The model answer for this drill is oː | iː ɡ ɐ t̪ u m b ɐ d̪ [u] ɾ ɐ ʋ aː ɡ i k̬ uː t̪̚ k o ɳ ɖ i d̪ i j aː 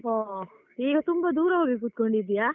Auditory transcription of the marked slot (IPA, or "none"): uː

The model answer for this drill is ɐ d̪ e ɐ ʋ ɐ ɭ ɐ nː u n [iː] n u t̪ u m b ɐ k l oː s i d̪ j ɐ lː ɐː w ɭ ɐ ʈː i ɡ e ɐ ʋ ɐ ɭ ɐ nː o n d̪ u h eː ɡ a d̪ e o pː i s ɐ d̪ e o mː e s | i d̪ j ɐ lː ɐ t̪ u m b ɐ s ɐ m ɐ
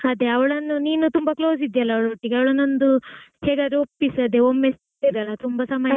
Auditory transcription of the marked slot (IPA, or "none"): iː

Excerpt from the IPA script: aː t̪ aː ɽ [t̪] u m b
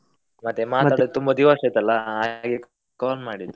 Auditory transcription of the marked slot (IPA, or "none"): t̪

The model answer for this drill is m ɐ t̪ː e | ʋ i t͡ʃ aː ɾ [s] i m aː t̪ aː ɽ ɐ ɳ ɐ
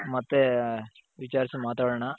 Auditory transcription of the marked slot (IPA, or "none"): s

